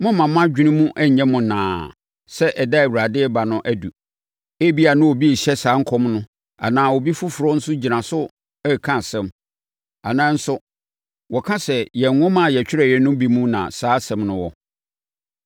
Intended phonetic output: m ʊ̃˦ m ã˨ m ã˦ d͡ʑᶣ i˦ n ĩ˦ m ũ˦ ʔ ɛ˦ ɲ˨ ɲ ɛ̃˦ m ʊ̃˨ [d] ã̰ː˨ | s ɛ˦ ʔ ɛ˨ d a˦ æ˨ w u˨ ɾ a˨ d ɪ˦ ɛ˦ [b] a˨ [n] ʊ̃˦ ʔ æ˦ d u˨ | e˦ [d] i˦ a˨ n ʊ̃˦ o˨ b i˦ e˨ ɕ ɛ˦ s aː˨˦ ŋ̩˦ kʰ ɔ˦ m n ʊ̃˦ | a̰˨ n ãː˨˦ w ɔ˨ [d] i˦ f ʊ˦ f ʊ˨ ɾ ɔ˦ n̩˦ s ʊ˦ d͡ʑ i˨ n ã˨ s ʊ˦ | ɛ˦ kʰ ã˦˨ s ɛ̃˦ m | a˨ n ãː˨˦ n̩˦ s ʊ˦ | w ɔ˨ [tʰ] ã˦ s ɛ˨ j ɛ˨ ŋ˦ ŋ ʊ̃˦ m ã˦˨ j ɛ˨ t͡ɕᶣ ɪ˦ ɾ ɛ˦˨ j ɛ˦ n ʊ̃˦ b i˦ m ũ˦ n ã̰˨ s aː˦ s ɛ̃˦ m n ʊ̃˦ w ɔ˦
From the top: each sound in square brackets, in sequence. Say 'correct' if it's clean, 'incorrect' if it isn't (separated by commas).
incorrect, correct, correct, incorrect, incorrect, incorrect